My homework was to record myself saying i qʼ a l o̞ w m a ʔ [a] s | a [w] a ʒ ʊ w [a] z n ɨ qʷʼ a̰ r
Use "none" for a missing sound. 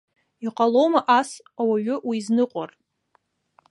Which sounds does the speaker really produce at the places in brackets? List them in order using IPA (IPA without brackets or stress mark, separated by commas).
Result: a, w, i